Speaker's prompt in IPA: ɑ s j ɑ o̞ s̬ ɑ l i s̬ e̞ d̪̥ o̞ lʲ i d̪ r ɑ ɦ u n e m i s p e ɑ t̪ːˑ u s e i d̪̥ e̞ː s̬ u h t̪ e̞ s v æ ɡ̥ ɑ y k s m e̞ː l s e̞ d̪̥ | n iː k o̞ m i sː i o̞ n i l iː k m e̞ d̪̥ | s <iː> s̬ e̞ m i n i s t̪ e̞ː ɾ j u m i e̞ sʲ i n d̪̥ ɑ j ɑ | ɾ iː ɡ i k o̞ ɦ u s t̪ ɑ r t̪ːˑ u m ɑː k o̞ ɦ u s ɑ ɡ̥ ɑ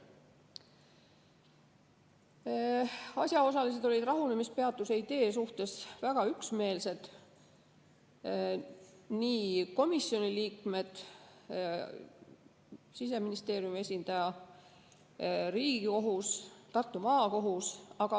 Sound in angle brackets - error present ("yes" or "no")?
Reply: yes